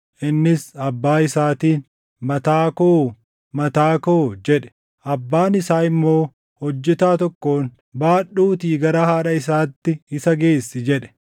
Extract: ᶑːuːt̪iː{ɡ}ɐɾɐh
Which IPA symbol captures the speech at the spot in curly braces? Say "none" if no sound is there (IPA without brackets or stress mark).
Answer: ɡ